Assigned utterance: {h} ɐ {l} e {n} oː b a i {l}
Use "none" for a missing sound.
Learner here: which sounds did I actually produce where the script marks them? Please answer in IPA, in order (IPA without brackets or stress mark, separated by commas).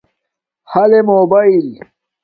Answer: h, l, m, l